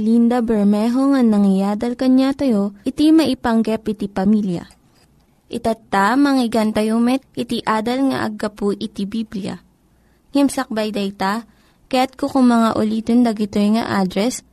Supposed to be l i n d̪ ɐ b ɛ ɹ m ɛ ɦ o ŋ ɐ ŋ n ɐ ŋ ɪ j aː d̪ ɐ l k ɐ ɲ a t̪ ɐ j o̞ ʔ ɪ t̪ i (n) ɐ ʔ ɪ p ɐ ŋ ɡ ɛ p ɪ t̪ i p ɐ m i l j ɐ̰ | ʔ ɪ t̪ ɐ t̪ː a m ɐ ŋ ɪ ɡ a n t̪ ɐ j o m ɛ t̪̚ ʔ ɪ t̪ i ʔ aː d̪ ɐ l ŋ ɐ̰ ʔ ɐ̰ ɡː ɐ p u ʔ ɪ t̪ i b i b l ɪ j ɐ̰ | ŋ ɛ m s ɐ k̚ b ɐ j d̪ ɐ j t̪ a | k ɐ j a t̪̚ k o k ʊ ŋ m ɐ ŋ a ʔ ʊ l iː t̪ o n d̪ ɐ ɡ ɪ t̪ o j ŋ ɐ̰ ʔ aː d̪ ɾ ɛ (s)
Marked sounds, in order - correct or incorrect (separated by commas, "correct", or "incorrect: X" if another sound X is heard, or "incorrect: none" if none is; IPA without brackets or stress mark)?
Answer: incorrect: m, correct